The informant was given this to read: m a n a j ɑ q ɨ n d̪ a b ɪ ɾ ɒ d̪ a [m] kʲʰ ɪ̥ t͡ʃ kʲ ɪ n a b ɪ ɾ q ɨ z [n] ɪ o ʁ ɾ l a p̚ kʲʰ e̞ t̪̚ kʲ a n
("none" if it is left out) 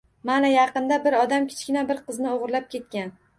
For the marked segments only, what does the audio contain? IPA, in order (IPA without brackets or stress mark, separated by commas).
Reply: m, n